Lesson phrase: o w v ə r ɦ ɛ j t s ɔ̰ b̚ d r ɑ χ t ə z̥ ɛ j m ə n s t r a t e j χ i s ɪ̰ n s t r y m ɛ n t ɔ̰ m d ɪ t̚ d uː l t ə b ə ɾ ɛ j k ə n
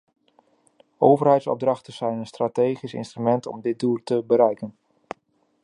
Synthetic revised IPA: o w v ə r ɦ ɛ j t s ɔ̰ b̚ d r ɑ χ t ə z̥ ɛ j n ə n s t r a t e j χ i s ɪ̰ n s t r y m ɛ n t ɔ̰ m d ɪ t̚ d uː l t ə b ə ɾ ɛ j k ə n